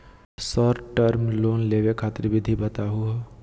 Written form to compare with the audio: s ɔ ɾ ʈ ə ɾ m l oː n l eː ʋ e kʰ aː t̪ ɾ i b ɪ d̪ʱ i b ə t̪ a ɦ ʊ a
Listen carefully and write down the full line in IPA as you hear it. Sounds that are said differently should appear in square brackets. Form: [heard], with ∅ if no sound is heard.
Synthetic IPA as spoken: s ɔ ɾ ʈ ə ɾ m l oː n l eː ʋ e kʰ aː t̪ ɾ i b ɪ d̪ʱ i b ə t̪ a ɦ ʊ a